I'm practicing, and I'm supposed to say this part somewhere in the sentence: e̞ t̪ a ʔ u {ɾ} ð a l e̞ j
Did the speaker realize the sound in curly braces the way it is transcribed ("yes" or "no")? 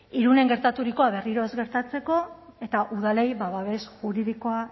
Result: no